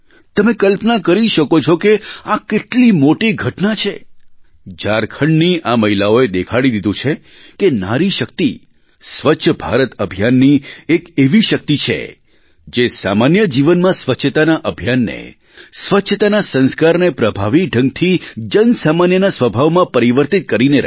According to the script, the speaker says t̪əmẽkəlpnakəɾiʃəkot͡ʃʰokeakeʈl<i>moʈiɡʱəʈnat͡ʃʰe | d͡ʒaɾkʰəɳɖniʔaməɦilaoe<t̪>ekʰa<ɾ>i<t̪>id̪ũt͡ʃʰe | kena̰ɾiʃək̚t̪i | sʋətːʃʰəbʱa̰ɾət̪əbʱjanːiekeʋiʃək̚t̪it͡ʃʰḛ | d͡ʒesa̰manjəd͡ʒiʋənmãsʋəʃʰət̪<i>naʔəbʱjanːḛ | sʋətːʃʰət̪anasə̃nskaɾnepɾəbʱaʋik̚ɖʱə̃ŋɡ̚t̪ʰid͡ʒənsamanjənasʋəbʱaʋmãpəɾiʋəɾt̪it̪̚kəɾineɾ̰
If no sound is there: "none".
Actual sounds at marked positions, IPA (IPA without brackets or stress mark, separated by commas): i, d̪, ɽ, d̪, a